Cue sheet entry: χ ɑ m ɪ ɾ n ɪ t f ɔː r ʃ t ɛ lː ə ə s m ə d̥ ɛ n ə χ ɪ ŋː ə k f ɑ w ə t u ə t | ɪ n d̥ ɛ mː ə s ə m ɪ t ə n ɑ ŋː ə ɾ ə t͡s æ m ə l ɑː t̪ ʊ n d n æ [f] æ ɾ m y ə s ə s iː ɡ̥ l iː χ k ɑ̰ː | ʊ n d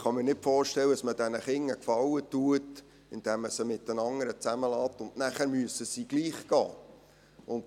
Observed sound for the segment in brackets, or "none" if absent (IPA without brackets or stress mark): χ